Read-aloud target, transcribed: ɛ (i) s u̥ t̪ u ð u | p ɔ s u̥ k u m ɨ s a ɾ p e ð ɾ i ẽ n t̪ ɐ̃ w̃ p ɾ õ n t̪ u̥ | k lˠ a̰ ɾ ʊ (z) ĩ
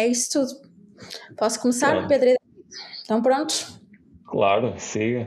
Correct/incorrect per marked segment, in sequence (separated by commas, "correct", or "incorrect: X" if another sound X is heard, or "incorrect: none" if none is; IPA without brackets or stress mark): correct, incorrect: s